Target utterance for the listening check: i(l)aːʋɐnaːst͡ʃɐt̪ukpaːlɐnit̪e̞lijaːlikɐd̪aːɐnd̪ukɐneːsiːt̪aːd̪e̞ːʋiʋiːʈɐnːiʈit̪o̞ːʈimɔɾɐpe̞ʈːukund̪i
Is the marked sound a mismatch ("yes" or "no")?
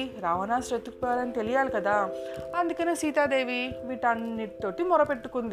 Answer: yes